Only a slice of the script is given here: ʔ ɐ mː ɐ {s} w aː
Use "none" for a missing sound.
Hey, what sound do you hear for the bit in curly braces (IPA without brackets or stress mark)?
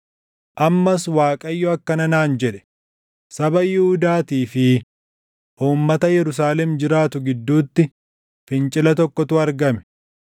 s